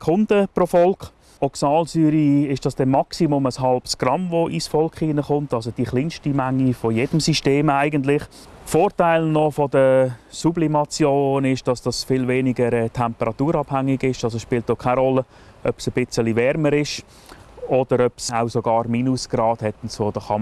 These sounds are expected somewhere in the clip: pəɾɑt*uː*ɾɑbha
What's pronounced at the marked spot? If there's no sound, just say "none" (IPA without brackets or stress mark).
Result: uː